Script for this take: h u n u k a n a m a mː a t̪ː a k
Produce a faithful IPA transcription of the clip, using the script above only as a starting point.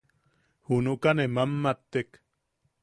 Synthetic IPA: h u n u k a n e m a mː a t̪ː e k